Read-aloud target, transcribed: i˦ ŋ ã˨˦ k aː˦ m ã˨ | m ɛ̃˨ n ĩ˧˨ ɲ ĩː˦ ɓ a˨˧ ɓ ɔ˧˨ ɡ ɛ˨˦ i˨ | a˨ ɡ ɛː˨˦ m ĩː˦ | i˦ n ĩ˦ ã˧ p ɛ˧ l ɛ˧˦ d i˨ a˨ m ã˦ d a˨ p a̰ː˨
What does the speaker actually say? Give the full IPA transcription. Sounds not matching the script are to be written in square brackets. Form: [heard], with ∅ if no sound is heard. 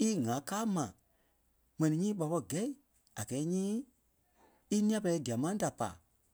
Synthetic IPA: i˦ ŋ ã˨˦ k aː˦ m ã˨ | m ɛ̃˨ n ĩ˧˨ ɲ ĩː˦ ɓ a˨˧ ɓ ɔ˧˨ ɡ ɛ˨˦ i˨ | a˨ ɡ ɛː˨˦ [ɲ] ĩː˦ | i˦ n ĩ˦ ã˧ p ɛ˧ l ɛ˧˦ d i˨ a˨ m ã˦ d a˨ p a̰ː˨